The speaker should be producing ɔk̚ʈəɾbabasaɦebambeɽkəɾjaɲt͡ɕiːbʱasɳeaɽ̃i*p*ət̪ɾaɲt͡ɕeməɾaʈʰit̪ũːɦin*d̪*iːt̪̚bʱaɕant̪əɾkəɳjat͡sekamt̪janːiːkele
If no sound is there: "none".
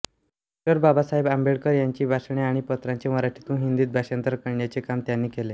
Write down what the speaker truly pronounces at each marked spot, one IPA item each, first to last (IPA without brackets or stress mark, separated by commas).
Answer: p, d̪